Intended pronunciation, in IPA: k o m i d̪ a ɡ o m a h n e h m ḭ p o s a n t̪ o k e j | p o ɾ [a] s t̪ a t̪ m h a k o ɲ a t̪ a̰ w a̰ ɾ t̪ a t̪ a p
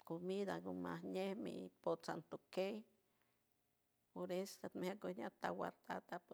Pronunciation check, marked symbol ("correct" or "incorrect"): incorrect